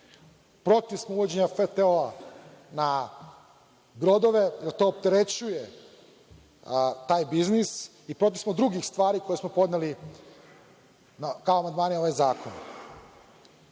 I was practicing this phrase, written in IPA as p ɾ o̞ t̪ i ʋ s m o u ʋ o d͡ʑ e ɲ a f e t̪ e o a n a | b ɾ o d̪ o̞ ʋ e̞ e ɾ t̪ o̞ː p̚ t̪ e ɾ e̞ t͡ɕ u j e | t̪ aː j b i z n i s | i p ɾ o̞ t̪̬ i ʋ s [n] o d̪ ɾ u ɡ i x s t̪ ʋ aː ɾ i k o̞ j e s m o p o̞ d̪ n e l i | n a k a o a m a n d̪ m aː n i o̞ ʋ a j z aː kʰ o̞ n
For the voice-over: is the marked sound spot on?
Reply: no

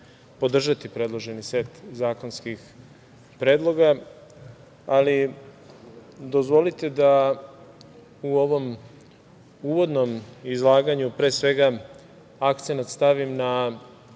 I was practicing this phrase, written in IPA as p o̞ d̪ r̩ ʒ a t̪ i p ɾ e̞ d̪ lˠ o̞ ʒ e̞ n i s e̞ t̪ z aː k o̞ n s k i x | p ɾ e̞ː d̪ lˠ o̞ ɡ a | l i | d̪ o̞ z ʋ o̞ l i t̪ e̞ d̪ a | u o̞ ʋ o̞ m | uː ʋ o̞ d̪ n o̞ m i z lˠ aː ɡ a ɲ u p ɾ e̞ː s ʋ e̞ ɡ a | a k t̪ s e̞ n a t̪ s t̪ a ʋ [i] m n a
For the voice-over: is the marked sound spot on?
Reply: yes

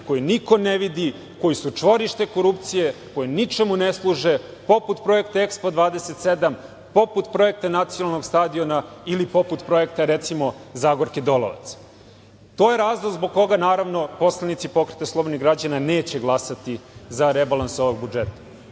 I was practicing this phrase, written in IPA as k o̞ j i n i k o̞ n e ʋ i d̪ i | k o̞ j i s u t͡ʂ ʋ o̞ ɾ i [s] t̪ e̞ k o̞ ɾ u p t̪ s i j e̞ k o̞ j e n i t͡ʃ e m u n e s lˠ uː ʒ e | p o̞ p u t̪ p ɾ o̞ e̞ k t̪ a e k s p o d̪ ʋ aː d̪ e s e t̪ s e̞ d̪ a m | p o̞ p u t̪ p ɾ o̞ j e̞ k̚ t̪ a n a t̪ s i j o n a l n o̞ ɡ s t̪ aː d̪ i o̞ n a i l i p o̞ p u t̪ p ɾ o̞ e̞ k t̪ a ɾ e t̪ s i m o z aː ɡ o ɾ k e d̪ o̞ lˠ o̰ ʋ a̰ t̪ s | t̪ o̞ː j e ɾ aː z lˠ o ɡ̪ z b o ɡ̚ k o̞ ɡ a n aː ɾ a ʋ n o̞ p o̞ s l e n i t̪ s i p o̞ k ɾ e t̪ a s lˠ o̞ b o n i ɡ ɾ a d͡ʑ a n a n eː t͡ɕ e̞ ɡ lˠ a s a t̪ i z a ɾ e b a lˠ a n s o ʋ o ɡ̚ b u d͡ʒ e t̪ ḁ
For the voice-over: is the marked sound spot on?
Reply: no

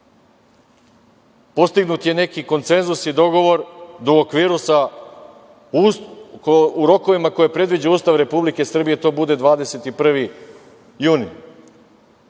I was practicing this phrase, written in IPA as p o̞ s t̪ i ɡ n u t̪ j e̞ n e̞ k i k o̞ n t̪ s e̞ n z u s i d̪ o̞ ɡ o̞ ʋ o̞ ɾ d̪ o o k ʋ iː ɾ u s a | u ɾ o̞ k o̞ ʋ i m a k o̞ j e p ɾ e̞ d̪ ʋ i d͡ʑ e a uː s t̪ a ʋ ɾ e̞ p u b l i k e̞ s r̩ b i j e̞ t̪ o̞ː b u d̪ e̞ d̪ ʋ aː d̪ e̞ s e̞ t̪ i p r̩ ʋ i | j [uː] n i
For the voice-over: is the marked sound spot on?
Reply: yes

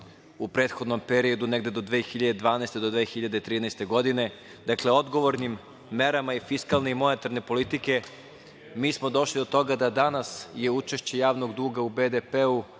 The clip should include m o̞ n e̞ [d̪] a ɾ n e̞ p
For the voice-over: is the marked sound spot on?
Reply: no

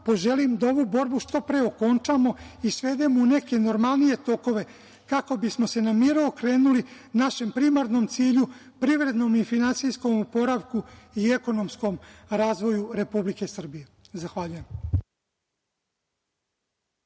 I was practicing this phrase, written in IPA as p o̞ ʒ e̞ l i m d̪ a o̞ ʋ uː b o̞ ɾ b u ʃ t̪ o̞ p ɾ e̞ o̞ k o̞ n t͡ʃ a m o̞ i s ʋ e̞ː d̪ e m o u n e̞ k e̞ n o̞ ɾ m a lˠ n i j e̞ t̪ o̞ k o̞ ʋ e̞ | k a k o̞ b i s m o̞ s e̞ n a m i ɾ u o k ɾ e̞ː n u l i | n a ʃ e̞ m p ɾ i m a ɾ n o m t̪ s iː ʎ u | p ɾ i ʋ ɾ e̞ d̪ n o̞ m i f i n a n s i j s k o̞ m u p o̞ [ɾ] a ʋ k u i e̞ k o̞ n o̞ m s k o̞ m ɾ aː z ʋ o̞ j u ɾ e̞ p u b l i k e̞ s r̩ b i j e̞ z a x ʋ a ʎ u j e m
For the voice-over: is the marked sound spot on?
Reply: yes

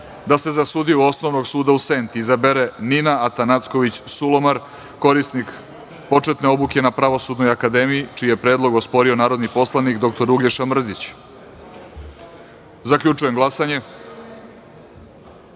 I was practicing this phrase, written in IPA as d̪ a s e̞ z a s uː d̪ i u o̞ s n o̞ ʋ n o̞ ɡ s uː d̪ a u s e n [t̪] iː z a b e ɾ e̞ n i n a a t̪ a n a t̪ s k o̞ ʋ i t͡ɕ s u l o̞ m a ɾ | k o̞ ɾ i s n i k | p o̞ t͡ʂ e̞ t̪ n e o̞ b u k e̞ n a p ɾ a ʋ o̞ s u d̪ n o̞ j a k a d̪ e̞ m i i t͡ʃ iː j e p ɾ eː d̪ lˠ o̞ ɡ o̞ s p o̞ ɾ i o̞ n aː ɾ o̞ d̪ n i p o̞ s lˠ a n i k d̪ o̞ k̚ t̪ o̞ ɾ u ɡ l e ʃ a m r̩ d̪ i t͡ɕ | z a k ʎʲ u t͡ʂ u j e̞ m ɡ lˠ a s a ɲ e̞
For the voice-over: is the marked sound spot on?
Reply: yes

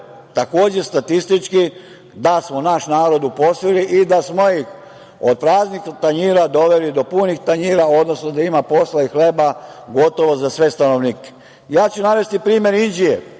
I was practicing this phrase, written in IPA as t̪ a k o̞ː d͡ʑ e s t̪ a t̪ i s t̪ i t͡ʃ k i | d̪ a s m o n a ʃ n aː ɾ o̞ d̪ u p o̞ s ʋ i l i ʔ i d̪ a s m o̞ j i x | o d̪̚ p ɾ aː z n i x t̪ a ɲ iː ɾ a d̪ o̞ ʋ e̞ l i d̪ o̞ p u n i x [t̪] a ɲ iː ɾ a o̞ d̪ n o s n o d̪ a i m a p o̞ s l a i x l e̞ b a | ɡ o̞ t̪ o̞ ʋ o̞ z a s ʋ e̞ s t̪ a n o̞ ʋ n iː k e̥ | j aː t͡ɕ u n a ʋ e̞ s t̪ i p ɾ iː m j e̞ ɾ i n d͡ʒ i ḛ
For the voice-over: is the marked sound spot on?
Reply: yes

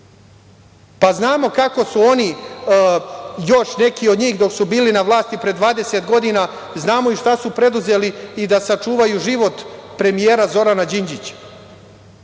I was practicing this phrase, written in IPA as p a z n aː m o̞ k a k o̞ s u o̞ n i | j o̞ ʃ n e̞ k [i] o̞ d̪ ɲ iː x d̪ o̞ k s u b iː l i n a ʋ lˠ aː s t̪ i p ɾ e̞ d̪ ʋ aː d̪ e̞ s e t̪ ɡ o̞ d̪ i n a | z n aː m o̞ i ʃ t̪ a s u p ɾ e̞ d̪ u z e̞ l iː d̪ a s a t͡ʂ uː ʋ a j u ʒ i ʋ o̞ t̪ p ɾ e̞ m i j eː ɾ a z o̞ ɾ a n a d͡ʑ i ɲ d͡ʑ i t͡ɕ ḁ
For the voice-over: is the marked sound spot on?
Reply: yes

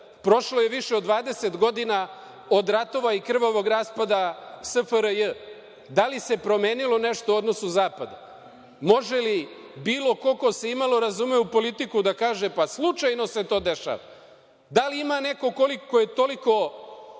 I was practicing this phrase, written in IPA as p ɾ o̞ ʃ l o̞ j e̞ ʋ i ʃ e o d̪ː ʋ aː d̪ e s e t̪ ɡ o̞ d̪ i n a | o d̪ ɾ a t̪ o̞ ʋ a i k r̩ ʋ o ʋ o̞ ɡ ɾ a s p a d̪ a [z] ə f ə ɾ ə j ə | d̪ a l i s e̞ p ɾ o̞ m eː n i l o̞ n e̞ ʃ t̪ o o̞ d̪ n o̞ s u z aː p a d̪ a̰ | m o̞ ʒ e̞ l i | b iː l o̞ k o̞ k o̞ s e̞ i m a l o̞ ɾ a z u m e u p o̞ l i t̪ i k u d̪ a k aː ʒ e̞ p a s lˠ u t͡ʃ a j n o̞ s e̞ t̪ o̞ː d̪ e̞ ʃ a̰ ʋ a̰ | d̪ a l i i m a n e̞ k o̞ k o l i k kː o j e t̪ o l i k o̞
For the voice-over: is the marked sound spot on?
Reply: no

